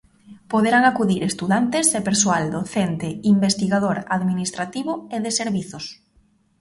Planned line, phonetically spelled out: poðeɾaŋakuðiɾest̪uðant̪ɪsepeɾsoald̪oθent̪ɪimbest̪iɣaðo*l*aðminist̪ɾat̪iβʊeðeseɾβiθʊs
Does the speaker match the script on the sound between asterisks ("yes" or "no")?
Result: no